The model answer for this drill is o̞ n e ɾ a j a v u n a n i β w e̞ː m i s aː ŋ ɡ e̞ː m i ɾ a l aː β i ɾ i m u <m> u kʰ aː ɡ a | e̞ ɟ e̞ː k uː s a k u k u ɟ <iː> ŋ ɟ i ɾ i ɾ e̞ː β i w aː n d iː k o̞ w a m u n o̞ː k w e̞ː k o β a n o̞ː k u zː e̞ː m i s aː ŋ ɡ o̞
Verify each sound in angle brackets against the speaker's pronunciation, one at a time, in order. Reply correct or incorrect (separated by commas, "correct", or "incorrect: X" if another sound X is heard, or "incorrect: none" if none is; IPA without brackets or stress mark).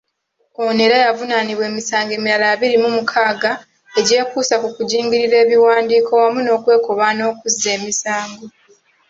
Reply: correct, correct